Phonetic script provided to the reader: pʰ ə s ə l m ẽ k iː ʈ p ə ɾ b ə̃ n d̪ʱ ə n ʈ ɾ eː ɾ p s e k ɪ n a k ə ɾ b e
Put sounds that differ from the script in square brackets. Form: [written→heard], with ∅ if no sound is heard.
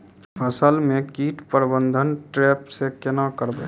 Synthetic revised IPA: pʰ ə s ə l m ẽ k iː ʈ p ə ɾ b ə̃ n d̪ʱ ə n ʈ ɾ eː [ɾ→∅] p s e k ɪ n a k ə ɾ b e